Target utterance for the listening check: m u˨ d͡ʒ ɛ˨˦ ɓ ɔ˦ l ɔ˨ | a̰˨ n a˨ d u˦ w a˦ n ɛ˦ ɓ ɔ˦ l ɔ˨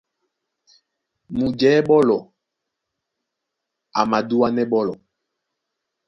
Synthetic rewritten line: m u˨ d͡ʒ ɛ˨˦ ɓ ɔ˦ l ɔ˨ | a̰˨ m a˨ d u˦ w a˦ n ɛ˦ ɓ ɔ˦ l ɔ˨